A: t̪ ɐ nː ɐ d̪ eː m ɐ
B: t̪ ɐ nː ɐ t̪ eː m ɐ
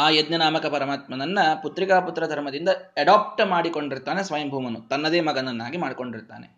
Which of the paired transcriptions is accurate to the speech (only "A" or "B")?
A